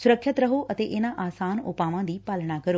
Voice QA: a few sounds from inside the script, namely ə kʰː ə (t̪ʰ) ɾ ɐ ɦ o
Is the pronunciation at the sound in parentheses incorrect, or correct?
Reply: incorrect